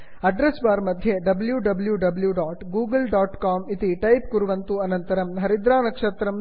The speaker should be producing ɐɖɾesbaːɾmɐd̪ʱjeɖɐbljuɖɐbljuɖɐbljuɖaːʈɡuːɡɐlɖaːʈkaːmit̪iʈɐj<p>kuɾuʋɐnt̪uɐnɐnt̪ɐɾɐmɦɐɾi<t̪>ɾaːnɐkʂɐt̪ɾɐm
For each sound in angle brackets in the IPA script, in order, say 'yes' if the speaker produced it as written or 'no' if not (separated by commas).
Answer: yes, no